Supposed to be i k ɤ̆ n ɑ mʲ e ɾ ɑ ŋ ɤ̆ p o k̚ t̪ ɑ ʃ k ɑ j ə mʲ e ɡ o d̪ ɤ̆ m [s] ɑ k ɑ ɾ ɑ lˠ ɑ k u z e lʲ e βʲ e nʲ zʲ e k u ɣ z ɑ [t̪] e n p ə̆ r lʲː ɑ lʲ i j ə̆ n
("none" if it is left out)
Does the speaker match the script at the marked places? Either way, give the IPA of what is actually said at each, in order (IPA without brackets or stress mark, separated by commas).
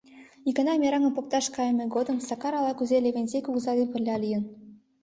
s, d̪